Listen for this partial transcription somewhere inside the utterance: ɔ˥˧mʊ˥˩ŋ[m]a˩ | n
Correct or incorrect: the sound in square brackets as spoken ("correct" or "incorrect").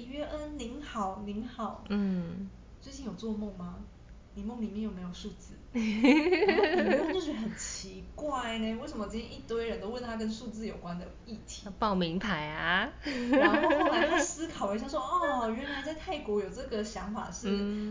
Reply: correct